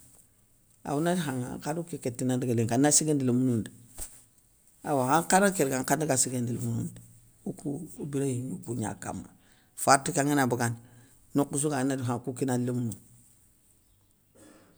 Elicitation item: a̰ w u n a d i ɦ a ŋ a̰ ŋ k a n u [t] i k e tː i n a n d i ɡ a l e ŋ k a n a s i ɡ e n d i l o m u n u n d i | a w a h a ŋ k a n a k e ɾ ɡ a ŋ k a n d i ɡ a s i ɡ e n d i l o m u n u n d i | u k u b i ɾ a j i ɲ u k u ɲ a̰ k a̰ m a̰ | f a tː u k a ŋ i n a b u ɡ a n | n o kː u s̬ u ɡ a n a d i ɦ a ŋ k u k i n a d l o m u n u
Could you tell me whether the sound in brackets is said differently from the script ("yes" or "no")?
yes